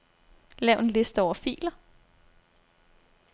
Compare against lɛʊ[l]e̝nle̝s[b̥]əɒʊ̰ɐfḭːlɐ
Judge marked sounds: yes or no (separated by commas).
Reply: no, no